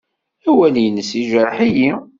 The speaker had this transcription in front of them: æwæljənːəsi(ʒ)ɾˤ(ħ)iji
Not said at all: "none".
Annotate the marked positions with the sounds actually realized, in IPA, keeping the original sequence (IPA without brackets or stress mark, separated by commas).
ʒ, ħ